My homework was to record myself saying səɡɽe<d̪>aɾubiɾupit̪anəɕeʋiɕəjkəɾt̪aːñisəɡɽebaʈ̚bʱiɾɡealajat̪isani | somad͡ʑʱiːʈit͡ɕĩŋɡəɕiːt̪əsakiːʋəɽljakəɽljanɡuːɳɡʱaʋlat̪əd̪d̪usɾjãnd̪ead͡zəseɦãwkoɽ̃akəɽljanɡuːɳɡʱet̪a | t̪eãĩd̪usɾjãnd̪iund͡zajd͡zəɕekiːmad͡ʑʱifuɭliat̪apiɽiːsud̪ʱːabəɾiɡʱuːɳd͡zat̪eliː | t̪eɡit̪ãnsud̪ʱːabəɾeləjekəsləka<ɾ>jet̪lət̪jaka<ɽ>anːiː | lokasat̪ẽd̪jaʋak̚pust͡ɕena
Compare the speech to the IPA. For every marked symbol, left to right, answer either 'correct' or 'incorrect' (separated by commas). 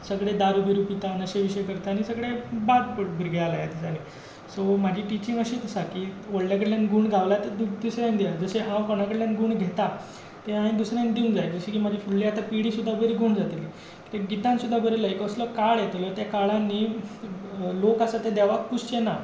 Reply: correct, incorrect, incorrect